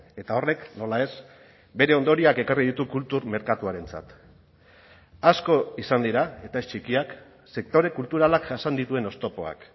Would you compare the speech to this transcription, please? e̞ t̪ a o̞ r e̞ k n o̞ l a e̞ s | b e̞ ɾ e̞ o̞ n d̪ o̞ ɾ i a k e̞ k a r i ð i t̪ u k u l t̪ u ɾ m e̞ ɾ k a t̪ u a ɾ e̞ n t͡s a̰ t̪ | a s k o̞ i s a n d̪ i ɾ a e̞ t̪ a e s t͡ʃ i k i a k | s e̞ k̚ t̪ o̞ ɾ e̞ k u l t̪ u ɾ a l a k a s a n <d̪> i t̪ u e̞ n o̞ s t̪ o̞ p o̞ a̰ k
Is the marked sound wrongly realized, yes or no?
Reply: no